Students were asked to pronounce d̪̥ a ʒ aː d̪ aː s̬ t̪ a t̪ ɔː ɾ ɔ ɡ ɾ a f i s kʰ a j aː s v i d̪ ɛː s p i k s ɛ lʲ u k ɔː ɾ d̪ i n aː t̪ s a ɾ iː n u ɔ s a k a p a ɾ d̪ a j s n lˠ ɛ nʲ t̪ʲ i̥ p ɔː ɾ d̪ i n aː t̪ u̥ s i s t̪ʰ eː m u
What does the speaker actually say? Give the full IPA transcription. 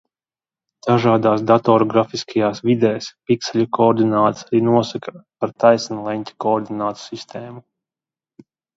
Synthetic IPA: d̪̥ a ʒ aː d̪ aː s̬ d̪ a t̪ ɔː ɾ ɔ ɡ ɾ a f i s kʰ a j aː s v i d̪ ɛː s p i k s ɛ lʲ u k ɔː ɾ d̪ i n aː t̪ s a ɾ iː n u ɔ s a k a p a ɾ t̪ a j s n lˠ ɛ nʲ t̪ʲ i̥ k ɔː ɾ d̪ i n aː t̪ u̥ s i s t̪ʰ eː m u